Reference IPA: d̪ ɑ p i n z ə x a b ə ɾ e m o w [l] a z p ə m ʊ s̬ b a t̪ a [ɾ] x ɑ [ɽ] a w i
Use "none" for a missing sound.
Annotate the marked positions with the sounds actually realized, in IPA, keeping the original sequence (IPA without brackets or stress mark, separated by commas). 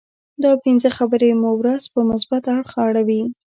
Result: ɾ, ɽ, ɽ